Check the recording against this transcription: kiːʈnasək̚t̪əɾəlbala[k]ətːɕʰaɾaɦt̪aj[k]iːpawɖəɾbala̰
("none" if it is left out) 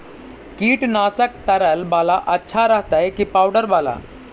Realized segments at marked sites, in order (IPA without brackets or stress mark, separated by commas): ʔ, k